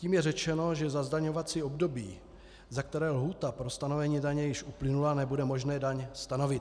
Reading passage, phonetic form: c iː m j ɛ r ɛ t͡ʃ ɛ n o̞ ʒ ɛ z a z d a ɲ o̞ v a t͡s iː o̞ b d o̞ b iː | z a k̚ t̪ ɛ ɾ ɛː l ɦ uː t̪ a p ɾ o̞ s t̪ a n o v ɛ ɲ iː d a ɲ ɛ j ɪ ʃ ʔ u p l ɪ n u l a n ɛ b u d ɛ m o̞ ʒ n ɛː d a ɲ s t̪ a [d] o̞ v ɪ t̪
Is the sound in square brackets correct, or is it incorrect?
incorrect: n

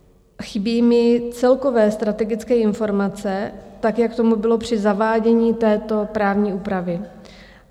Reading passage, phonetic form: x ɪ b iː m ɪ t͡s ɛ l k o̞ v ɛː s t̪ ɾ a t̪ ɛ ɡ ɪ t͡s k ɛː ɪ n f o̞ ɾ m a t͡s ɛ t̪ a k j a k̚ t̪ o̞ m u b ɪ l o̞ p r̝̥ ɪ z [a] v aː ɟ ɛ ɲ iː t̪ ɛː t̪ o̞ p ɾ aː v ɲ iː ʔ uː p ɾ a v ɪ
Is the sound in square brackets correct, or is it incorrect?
correct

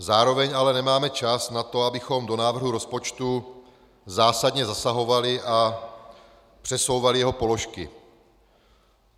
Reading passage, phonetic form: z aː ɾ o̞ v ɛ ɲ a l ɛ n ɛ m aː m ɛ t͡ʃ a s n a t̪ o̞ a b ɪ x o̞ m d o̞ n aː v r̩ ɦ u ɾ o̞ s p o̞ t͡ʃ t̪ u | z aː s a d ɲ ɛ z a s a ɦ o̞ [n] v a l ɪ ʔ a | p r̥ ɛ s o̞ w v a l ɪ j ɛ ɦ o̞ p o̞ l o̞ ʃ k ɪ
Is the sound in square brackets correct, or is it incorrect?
incorrect: none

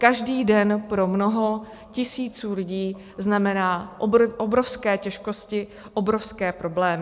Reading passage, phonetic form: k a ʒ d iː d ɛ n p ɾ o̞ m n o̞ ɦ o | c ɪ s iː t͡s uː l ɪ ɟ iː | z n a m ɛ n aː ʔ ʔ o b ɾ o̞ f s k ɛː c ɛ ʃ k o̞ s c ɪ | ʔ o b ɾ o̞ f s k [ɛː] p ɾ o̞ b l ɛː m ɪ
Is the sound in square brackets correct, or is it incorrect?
correct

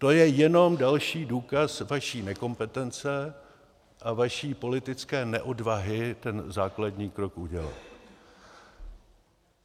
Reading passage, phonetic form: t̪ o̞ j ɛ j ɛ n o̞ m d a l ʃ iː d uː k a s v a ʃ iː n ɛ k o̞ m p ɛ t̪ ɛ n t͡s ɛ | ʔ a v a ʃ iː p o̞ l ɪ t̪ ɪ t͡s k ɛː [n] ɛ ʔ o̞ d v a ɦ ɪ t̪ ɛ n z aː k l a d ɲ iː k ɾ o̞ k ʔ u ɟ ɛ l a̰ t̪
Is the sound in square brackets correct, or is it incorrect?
correct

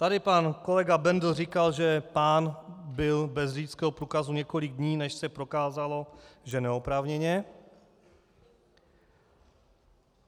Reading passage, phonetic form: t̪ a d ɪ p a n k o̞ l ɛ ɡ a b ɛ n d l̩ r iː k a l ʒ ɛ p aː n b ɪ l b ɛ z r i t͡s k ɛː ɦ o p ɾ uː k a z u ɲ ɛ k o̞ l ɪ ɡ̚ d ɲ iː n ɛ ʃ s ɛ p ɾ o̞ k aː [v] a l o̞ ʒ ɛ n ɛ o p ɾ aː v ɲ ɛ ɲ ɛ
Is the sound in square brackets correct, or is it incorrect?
incorrect: z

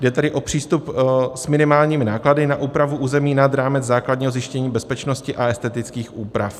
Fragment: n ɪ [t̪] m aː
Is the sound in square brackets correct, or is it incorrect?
incorrect: none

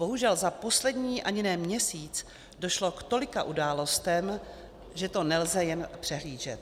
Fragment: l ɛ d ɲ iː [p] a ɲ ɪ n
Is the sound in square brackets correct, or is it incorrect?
incorrect: ʔ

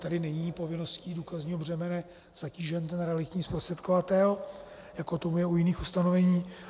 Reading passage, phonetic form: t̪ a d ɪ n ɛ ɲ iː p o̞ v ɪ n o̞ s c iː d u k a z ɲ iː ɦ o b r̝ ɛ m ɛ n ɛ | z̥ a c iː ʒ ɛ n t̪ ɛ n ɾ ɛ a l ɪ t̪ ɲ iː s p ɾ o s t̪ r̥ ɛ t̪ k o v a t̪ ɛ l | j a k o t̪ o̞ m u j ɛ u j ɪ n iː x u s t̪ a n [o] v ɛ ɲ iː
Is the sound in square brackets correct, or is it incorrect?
correct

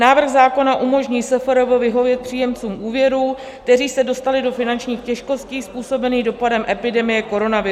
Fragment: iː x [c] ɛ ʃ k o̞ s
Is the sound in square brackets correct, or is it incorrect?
correct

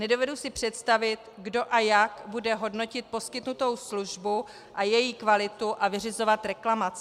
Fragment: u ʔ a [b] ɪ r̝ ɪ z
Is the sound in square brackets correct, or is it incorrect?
incorrect: v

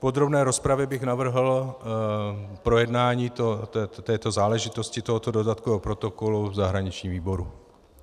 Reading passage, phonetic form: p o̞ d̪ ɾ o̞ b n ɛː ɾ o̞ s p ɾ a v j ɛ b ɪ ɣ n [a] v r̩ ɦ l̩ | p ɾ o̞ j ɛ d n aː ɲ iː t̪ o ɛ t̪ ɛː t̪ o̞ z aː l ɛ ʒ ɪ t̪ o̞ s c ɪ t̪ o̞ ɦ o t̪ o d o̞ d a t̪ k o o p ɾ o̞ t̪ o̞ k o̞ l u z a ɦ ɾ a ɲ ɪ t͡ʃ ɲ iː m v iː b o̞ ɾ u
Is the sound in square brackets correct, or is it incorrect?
correct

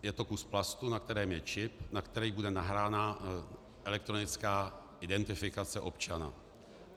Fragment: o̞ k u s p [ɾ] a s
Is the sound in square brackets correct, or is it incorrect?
incorrect: l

